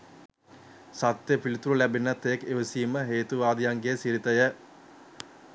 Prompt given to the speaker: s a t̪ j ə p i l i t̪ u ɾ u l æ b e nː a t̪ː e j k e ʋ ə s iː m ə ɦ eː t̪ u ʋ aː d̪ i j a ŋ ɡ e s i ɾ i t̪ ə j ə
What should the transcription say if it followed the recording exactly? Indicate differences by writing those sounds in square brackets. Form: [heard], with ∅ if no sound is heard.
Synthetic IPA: s a t̪ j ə p i l i t̪ u ɾ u l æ b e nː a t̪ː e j k e ʋ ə s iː m ə ɦ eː t̪ u ʋ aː d̪ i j a ŋ ɡ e s i ɾ i t̪ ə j ə